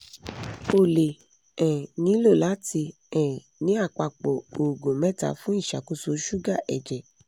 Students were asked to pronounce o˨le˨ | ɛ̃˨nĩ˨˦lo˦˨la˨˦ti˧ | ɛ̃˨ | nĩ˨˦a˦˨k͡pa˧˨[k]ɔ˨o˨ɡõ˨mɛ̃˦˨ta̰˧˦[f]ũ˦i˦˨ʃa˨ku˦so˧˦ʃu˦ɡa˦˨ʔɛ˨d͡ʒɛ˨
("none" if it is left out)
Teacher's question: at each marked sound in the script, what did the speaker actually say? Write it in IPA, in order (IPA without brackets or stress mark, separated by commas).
k͡p, f